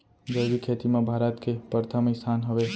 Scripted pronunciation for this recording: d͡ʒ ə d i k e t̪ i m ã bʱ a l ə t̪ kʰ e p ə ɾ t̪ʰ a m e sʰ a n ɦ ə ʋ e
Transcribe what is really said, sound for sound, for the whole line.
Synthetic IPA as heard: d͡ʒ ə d i kʰ e t̪ i m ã bʱ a ɾ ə t̪ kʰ e p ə ɾ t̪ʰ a m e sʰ a n ɦ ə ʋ e